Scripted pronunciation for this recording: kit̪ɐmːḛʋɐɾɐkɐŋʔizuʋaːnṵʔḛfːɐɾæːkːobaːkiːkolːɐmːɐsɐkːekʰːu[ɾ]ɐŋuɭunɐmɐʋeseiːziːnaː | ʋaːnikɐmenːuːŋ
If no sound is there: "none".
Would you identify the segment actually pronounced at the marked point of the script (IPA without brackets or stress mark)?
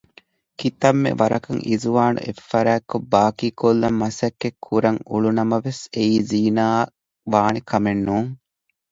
ɾ